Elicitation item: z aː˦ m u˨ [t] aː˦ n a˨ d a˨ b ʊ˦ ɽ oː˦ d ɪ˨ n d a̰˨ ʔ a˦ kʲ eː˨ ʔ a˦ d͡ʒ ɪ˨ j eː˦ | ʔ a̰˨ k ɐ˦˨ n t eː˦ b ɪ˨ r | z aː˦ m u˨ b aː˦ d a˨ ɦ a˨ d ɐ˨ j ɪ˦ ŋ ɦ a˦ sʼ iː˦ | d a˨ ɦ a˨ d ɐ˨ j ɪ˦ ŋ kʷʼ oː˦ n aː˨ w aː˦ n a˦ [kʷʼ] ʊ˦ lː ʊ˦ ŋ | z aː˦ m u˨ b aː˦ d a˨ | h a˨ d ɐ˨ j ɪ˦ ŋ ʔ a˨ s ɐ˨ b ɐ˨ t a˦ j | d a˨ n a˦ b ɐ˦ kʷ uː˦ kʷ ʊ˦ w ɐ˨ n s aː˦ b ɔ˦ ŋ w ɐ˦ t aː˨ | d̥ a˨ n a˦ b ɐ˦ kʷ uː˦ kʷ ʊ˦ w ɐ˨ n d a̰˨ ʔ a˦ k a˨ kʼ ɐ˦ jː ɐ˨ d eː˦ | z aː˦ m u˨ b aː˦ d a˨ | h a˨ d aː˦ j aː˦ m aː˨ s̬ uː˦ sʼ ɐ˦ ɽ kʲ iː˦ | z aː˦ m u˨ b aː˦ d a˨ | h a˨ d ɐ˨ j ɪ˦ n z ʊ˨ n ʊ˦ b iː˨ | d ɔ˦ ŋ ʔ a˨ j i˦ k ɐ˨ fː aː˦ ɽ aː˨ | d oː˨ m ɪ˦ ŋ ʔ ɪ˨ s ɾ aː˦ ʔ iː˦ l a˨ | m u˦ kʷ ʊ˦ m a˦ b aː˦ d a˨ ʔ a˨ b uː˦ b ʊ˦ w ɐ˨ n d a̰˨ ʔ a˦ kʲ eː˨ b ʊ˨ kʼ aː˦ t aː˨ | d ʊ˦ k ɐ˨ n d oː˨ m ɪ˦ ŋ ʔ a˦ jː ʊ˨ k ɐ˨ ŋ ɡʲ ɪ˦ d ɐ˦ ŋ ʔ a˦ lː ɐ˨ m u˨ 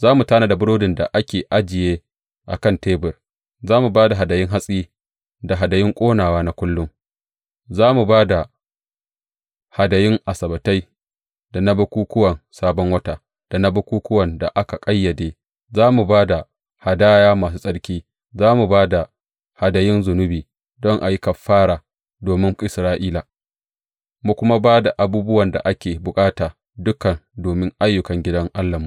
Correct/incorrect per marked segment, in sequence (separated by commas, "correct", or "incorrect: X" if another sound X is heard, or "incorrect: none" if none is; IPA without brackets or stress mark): correct, incorrect: kʷ